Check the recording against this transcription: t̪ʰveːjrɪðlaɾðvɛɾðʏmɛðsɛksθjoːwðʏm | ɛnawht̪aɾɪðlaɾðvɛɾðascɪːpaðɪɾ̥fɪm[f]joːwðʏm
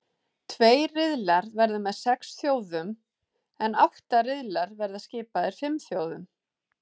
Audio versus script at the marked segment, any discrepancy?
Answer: yes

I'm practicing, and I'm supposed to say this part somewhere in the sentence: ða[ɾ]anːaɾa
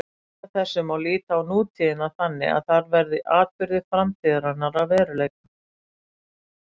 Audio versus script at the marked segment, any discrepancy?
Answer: no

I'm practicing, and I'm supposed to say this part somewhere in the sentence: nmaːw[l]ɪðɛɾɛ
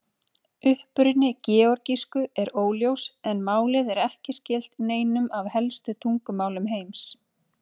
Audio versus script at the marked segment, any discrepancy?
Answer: no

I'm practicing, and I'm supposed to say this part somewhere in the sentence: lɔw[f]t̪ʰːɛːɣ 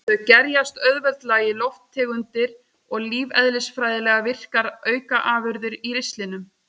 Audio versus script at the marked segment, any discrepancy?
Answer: no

